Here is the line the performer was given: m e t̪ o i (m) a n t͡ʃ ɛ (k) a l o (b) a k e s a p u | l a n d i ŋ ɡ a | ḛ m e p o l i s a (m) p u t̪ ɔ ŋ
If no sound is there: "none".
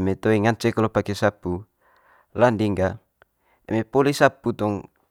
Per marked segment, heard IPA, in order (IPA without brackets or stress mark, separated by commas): ŋ, k, p, none